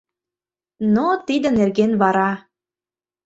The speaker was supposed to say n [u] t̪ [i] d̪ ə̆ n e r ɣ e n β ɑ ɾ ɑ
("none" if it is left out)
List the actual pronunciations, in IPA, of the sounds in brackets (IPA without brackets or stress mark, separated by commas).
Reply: o, i